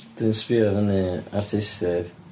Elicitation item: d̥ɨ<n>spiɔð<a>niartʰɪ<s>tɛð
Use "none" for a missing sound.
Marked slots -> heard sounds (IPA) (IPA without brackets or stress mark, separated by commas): n, ə, s